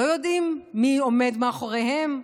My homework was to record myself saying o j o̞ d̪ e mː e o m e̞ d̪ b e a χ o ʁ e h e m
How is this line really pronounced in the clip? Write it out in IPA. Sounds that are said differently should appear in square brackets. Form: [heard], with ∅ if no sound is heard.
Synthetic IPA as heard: o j o̞ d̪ [i] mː [i] o m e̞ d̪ [m] e a χ o ʁ e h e m